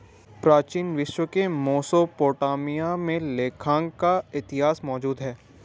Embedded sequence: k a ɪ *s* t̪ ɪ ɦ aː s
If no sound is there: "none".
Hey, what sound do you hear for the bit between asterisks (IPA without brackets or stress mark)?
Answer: none